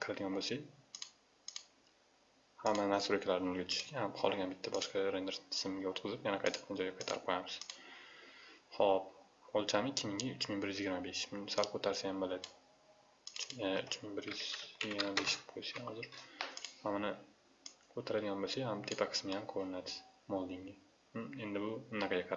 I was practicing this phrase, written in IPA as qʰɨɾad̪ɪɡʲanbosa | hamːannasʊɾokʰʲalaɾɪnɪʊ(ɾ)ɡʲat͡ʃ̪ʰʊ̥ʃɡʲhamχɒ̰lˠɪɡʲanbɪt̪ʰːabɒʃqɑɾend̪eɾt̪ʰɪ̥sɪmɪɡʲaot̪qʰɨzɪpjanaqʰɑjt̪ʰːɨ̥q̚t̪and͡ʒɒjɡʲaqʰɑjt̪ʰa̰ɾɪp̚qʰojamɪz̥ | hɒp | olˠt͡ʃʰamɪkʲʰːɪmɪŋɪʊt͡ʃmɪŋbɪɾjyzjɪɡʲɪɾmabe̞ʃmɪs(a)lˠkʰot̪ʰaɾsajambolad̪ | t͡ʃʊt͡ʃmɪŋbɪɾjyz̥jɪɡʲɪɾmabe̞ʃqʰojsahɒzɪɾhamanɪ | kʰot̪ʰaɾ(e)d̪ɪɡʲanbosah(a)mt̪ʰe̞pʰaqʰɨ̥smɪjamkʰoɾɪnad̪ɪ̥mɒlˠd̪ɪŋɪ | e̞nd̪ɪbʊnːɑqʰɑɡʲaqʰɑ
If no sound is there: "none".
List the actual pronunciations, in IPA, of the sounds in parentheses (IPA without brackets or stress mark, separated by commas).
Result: l, a, a, a